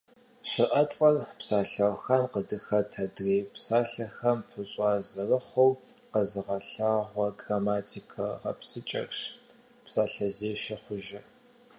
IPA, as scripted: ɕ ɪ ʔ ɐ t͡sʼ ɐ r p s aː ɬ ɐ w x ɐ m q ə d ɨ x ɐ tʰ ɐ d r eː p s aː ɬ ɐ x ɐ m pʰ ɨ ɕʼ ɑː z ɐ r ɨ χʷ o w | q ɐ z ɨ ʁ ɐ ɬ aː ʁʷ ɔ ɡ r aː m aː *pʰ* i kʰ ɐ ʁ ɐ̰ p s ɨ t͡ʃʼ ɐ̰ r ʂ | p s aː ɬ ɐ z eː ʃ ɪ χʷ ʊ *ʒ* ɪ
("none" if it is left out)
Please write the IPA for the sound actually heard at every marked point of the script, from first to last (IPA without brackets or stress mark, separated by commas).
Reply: tʰ, ʒ